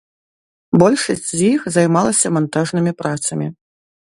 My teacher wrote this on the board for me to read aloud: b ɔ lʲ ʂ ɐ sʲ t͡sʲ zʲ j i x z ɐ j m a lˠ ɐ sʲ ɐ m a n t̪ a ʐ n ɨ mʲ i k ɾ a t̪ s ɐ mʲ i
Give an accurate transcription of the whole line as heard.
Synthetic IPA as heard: b ɔ lʲ ʂ ɐ sʲ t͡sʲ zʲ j i x z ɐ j m a lˠ ɐ sʲ ɐ m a n t̪ a ʐ n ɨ mʲ i p ɾ a t̪ s ɐ mʲ i